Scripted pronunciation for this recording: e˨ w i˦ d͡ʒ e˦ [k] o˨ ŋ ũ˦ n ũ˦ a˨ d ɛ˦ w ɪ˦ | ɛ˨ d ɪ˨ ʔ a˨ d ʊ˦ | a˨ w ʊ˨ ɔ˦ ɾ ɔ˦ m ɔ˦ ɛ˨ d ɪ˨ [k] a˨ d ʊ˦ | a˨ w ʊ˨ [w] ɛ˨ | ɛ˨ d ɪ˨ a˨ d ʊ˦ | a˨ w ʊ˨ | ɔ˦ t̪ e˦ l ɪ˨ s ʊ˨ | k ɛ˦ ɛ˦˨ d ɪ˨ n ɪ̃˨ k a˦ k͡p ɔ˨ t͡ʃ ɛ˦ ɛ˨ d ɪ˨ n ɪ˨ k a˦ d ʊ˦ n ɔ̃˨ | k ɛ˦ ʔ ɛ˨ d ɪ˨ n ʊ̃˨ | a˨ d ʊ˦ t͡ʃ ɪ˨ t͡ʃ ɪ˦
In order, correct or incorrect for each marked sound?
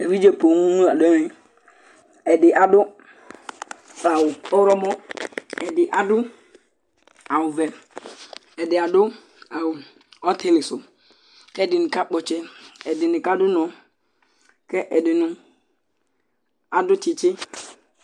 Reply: incorrect: p, incorrect: ʔ, incorrect: v

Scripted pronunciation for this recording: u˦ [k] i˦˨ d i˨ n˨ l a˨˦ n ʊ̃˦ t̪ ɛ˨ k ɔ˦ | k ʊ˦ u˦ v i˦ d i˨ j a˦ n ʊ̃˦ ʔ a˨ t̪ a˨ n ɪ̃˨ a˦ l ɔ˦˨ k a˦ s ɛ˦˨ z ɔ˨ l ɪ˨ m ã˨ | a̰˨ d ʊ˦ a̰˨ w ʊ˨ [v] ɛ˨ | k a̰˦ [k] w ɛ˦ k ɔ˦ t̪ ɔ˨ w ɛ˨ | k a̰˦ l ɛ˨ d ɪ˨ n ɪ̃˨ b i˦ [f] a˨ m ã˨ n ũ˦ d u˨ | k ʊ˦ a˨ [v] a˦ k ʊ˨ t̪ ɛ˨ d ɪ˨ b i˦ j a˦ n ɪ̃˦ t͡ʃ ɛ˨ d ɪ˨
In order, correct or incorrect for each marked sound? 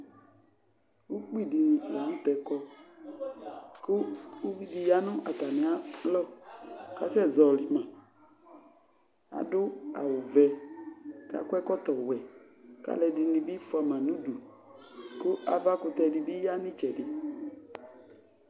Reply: incorrect: k͡p, correct, correct, correct, correct

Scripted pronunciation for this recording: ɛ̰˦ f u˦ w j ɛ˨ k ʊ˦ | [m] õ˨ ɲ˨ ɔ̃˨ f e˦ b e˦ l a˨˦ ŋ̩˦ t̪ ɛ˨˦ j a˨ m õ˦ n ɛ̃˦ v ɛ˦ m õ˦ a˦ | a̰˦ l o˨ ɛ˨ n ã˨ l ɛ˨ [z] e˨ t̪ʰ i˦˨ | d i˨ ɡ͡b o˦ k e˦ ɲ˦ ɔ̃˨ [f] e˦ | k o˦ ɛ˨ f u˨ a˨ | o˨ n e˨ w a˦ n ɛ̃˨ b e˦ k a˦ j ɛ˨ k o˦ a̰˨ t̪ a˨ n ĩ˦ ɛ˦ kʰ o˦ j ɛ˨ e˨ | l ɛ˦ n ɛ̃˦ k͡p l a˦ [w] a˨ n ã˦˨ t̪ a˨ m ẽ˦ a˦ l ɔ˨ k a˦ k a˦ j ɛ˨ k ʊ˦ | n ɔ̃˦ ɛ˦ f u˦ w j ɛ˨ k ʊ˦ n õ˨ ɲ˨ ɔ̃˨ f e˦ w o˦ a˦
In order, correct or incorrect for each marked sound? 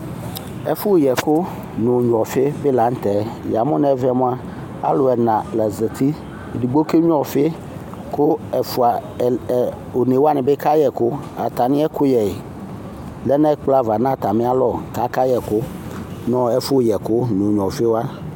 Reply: incorrect: n, correct, correct, incorrect: v

